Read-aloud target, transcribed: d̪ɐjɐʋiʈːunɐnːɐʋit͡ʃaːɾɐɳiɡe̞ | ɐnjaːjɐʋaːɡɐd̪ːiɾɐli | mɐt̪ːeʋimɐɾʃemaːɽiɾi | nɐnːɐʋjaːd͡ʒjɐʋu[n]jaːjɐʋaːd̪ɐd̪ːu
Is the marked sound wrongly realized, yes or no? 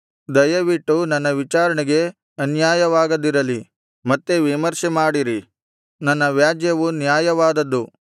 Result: no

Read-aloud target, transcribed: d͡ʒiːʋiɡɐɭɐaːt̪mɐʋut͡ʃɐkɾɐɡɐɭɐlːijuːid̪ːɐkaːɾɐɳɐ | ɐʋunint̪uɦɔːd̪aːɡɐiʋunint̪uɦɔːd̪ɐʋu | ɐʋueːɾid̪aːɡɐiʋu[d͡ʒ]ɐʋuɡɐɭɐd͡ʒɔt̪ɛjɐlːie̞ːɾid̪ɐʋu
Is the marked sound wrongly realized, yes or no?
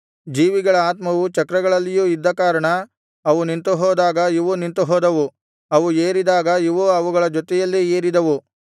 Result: yes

